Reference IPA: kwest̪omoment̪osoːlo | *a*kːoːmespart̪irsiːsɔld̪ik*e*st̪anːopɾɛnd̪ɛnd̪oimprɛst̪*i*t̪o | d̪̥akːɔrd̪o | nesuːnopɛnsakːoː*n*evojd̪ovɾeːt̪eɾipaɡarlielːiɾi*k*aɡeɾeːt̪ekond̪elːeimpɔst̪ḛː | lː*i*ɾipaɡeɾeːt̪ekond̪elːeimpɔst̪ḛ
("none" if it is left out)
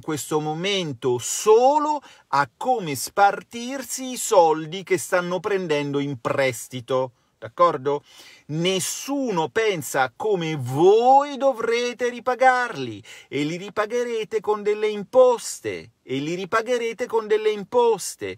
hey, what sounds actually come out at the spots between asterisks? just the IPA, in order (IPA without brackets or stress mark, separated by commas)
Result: a, e, i, m, p, i